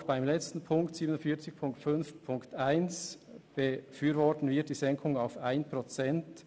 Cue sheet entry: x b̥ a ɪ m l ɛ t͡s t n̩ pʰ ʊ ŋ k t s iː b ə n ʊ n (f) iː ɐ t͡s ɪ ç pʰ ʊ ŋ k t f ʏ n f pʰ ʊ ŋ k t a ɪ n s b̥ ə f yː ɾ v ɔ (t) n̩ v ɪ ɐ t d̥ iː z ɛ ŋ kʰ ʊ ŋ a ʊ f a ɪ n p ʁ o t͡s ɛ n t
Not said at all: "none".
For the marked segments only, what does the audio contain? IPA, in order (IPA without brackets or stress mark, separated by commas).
f, t